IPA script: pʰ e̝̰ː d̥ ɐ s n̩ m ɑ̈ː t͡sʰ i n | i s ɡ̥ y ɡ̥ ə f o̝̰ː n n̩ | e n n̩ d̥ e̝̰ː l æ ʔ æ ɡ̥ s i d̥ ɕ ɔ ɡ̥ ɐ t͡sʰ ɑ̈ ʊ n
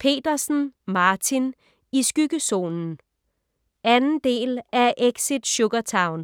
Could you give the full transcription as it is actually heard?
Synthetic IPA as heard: pʰ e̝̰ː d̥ ɐ s n̩ m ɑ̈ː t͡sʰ i n | i s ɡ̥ y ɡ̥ ə s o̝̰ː n n̩ | æ n n̩ d̥ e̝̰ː l æ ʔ e ɡ̥ s i d̥ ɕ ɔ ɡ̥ ɐ t͡sʰ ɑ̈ ʊ n